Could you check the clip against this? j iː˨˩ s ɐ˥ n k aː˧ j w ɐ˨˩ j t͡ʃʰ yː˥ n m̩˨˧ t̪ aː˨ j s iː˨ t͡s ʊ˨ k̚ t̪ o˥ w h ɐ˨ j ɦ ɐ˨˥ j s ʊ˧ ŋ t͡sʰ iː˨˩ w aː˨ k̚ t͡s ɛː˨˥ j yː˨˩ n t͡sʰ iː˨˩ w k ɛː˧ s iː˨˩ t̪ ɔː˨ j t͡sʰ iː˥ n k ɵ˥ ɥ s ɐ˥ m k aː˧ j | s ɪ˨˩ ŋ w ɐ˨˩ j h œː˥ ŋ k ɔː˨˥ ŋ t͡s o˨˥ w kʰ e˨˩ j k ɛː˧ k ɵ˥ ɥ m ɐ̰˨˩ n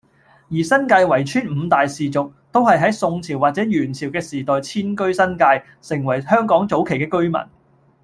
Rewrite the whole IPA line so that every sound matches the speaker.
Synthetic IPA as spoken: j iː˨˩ s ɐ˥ n k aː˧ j w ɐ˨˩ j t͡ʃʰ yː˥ n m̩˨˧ t̪ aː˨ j s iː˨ t͡s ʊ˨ k̚ t̪ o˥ w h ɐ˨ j ɦ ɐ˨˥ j s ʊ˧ ŋ t͡sʰ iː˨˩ w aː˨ t̚ t͡s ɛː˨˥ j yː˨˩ n t͡sʰ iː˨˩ w k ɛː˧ s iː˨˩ t̪ ɔː˨ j t͡sʰ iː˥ n k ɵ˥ ɥ s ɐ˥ n k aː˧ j | s ɪ˨˩ ŋ w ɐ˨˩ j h œː˥ ŋ k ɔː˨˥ ŋ t͡s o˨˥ w kʰ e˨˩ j k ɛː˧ k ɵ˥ ɥ m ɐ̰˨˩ n